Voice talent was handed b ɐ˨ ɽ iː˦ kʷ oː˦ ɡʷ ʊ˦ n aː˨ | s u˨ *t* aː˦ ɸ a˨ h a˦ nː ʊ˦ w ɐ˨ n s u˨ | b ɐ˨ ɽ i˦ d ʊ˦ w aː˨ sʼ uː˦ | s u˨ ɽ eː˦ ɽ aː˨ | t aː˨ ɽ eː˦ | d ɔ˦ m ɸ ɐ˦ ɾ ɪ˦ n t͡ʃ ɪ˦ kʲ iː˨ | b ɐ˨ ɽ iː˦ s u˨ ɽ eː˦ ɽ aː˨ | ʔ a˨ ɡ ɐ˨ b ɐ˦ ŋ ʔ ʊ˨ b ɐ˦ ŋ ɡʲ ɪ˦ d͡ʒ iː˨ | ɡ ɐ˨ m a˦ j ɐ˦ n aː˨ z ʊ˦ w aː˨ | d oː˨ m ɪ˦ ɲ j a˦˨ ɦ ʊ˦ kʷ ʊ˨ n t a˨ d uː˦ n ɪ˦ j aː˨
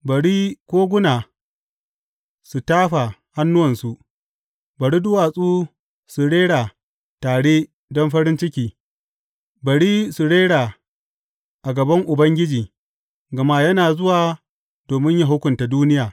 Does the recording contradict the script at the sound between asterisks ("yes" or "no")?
no